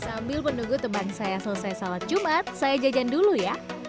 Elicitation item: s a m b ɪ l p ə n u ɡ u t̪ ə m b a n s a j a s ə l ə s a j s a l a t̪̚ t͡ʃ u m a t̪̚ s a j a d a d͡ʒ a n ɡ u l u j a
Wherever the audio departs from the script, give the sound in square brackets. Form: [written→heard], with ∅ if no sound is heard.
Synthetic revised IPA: s a m b ɪ l p ə n u ɡ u t̪ ə m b a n s a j a s ə l ə s a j s a l a t̪̚ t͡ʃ u m a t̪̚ s a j a [d→d͡ʒ] a d͡ʒ a n [ɡ→d] u l u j a